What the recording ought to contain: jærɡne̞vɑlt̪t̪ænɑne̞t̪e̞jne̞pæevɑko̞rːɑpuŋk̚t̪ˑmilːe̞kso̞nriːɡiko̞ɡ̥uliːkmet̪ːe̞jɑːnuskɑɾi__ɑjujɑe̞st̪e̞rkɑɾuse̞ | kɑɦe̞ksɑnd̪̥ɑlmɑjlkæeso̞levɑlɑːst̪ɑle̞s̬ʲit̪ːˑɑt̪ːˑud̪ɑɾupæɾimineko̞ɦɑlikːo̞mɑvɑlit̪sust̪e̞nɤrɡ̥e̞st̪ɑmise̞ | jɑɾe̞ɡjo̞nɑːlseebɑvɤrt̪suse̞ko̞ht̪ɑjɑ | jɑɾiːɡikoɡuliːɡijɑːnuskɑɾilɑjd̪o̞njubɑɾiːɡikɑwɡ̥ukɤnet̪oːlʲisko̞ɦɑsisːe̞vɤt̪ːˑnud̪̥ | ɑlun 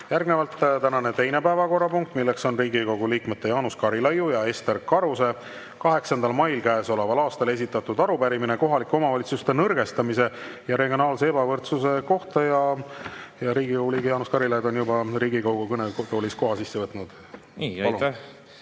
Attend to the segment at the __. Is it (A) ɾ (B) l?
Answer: B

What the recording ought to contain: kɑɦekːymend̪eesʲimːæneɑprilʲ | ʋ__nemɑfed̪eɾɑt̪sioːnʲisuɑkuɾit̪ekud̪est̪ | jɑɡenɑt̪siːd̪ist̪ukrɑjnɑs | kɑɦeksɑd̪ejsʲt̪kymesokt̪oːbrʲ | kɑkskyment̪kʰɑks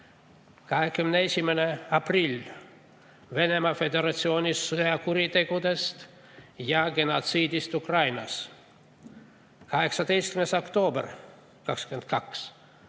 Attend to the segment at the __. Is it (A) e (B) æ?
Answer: A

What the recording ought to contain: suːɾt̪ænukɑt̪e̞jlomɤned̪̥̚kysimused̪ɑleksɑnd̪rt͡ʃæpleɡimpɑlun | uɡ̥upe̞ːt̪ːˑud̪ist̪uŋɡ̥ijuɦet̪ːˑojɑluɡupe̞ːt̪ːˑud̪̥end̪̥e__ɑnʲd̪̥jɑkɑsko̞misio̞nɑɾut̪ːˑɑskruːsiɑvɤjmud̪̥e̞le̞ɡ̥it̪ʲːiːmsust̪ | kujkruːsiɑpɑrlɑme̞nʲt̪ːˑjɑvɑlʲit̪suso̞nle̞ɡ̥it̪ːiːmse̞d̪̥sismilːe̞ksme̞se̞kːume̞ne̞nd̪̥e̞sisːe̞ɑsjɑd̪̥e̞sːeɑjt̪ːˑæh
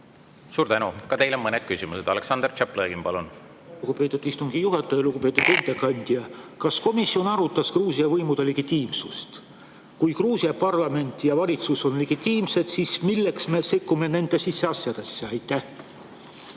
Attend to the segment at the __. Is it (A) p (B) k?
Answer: B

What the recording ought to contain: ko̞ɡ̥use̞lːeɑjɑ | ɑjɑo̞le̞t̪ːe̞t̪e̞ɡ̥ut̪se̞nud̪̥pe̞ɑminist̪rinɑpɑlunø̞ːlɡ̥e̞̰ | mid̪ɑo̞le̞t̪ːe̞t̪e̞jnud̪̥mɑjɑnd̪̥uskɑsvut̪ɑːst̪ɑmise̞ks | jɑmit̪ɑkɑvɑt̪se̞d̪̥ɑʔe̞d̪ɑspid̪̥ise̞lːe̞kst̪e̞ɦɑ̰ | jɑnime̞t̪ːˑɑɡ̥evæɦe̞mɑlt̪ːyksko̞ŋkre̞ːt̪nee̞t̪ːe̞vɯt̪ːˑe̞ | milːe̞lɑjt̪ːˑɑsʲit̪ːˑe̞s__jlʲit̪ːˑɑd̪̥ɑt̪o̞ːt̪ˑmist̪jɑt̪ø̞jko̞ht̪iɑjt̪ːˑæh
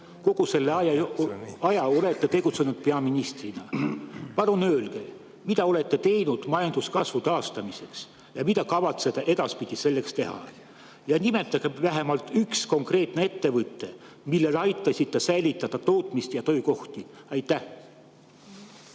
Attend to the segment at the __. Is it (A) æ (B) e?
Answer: A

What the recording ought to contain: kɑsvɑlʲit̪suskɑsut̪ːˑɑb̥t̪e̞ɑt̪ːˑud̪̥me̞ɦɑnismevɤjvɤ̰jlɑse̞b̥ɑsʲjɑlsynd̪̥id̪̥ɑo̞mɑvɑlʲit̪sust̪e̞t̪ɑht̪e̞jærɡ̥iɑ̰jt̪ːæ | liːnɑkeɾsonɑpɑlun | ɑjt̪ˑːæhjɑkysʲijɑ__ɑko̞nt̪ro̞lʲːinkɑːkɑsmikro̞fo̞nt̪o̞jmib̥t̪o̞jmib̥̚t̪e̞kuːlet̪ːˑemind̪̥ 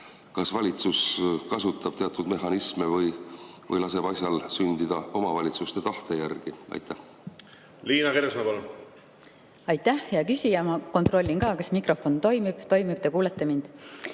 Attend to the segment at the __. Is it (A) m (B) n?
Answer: A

